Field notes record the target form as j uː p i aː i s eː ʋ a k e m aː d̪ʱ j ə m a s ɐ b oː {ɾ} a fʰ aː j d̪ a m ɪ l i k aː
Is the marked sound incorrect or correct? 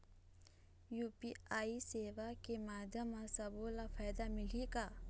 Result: incorrect